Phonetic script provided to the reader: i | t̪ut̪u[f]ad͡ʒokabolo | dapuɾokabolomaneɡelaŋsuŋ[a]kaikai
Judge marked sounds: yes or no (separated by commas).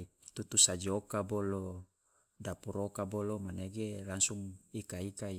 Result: no, no